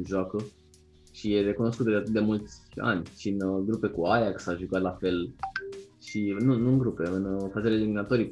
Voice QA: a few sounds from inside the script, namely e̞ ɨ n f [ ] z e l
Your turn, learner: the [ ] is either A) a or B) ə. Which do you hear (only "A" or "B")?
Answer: A